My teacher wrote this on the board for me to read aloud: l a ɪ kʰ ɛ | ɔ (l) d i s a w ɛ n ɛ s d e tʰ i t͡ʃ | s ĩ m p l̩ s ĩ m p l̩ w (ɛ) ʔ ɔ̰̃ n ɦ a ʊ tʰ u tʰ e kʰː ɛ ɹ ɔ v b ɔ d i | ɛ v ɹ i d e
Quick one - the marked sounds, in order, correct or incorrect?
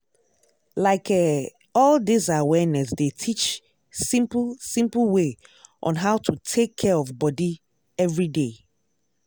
correct, incorrect

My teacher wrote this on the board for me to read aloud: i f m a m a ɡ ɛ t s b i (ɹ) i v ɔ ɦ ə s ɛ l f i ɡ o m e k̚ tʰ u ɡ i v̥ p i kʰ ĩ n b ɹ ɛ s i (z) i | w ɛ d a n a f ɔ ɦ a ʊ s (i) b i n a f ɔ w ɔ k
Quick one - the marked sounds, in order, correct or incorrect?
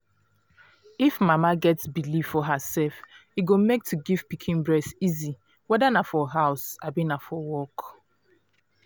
incorrect, correct, incorrect

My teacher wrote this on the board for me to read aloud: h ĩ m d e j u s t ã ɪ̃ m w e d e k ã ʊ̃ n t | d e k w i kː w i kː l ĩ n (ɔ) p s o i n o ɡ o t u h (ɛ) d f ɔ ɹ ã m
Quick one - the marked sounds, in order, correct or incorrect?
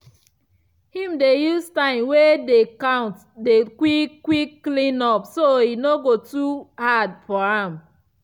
correct, incorrect

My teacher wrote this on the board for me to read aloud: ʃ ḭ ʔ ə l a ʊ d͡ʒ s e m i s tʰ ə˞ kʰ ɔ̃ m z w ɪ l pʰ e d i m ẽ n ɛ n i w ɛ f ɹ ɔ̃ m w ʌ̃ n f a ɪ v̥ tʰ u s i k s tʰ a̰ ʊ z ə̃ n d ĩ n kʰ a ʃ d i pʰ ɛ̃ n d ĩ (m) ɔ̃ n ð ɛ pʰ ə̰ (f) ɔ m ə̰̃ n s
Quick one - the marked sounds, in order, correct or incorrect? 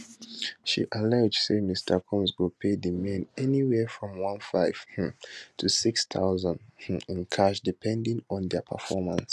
incorrect, correct

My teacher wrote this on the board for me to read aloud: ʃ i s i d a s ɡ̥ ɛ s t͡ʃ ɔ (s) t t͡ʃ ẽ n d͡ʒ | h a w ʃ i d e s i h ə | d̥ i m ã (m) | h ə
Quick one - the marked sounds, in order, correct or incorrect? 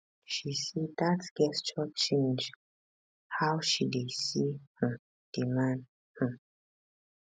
incorrect, incorrect

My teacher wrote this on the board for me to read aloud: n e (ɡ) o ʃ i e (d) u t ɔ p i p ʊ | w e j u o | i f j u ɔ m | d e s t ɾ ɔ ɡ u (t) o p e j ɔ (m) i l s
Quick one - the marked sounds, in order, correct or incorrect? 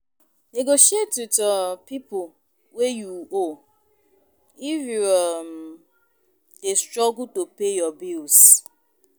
correct, incorrect, correct, incorrect

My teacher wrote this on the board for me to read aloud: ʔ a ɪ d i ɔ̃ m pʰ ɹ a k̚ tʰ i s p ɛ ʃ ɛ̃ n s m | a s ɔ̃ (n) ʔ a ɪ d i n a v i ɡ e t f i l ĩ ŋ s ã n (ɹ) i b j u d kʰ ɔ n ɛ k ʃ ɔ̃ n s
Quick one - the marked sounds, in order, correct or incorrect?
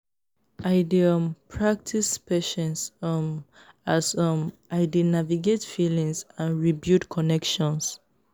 incorrect, correct

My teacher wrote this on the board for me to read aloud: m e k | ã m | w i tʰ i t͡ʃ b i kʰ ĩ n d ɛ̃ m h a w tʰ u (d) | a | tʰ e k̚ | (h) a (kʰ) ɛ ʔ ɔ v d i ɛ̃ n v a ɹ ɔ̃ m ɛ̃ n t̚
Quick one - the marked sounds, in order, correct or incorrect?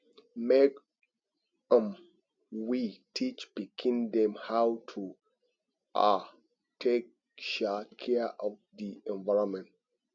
incorrect, incorrect, correct

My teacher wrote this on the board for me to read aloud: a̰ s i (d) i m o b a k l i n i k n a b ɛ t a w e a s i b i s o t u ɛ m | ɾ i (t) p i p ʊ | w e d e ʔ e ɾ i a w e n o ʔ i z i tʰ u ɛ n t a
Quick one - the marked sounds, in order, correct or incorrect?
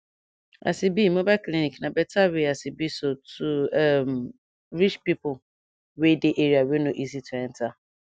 incorrect, incorrect

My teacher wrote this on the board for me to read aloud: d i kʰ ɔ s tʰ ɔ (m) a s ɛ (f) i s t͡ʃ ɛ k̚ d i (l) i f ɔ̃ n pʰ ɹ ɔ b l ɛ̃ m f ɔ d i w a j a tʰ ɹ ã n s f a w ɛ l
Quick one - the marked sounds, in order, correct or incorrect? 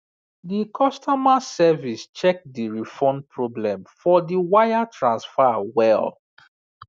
correct, incorrect, incorrect

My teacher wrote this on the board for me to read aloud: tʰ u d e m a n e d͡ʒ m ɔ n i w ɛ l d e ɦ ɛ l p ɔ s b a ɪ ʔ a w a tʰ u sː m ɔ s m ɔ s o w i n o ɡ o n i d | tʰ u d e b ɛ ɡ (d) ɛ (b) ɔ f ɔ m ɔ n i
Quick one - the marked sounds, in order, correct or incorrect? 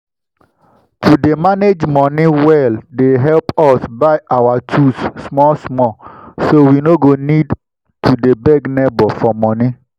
incorrect, correct

